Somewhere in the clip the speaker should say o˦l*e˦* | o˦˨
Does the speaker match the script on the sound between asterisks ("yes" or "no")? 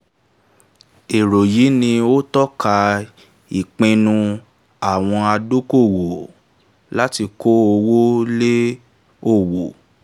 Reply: yes